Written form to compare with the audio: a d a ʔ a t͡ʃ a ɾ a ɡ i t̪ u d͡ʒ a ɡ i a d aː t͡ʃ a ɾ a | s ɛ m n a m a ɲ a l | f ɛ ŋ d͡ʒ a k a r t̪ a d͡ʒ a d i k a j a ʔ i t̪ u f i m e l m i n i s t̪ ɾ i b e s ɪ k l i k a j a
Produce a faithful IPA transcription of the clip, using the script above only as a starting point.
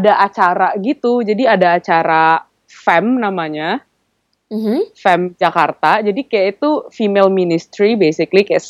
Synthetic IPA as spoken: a d a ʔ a t͡ʃ a ɾ a ɡ i t̪ u d͡ʒ a d i a d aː t͡ʃ a ɾ a | f ɛ m n a m a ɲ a | f ɛ m d͡ʒ a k a r t̪ a d͡ʒ a d i k a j a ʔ i t̪ u f i m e l m i n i s t̪ ɾ i b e s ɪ k l i k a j a